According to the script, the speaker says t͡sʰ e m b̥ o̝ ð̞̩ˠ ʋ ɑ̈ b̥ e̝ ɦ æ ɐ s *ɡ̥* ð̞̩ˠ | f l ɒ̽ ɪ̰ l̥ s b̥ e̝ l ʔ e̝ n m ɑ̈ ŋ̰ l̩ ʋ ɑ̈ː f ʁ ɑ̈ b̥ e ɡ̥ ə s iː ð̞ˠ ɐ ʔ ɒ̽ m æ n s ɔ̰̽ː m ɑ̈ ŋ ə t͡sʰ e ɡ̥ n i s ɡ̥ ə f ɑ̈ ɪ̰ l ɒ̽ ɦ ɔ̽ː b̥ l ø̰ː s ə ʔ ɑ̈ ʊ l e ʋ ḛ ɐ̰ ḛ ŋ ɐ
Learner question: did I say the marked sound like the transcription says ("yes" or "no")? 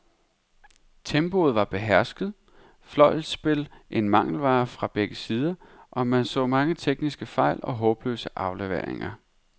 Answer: yes